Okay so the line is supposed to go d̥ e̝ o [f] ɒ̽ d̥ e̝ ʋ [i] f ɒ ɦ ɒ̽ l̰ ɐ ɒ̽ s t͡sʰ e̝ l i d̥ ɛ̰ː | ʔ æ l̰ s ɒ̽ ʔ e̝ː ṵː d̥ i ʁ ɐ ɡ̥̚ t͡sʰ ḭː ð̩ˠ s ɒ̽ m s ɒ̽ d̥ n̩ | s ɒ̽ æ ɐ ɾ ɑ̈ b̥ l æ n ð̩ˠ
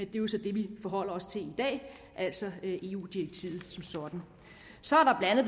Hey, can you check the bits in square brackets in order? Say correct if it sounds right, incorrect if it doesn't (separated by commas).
incorrect, correct